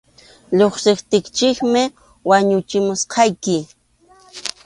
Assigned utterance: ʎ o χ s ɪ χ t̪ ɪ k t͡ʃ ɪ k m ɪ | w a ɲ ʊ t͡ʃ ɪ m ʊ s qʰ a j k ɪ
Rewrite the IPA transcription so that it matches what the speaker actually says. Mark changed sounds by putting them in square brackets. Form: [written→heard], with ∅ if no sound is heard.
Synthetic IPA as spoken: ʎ o χ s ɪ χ t̪ ɪ k t͡ʃ ɪ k m ɪ | w a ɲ ʊ t͡ʃ ɪ m ʊ s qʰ [a→ɑ] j k ɪ